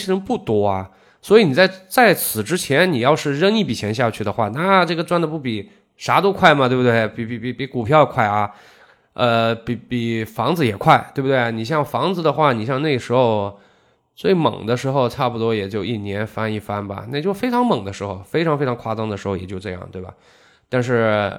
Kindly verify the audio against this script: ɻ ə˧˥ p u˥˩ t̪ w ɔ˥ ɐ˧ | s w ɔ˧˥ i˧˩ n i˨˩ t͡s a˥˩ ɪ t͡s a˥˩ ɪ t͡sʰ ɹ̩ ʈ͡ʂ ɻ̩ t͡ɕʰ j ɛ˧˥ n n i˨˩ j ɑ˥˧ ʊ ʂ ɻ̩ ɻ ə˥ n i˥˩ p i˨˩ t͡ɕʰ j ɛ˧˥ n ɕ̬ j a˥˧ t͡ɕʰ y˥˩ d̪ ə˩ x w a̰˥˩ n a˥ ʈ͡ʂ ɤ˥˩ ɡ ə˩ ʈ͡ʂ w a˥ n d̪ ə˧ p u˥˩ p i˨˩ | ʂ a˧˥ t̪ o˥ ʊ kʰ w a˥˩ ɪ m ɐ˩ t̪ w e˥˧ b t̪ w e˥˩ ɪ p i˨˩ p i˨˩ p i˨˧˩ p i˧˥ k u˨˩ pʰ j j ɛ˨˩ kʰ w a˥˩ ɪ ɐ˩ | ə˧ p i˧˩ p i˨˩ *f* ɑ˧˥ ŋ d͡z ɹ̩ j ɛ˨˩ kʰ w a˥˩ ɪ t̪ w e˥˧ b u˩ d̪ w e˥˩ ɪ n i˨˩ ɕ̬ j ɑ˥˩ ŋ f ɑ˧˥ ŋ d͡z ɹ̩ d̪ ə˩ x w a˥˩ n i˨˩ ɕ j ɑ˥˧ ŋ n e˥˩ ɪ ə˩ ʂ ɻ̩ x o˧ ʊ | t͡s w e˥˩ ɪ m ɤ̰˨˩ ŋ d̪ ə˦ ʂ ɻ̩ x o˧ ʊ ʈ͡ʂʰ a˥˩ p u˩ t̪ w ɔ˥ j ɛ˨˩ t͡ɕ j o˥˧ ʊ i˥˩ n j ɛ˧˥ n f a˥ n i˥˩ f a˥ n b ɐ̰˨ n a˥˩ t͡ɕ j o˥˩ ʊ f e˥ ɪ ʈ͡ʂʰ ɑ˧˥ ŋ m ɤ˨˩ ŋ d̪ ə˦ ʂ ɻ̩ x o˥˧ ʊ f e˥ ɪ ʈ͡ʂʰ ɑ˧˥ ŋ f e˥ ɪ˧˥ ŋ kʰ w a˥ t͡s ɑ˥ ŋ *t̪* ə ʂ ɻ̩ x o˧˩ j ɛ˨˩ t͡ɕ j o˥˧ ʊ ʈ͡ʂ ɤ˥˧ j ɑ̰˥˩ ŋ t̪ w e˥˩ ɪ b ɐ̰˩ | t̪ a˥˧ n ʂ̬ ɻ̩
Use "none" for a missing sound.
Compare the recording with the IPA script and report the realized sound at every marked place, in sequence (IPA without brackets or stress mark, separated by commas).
f, d̪